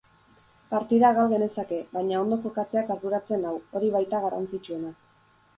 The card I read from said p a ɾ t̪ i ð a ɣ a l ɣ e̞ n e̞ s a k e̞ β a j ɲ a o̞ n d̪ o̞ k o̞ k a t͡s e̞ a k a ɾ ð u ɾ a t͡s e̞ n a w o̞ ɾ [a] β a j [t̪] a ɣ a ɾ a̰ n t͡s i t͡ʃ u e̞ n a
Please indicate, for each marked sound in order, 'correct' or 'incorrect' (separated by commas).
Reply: incorrect, correct